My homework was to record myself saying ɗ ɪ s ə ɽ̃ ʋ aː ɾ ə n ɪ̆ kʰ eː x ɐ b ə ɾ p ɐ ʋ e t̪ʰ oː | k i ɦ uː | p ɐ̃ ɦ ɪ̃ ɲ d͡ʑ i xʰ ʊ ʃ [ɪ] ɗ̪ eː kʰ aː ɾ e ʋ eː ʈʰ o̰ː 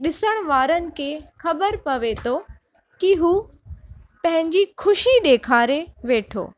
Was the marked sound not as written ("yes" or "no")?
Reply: yes